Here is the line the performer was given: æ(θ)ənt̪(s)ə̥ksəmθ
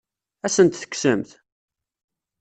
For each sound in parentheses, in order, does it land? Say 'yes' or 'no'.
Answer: no, no

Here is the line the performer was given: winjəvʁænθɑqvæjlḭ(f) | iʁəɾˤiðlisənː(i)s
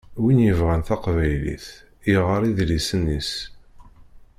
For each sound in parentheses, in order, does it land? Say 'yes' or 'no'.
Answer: no, yes

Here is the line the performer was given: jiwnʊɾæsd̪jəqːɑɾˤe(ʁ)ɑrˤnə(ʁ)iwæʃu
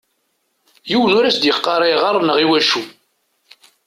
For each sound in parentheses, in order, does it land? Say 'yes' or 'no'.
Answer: yes, yes

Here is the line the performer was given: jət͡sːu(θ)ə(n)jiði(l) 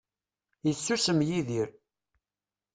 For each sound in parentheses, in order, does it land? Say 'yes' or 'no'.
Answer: no, no, no

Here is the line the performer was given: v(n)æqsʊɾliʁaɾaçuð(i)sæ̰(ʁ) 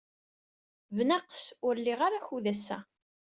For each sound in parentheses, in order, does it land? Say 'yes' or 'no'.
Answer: yes, no, no

